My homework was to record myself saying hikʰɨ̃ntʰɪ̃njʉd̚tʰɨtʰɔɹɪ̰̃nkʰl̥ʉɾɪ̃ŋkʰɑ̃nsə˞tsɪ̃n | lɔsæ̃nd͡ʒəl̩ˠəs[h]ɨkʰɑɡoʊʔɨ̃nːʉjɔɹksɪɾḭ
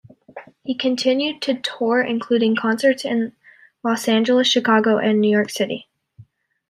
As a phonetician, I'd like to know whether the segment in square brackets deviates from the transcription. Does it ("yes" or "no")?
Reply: yes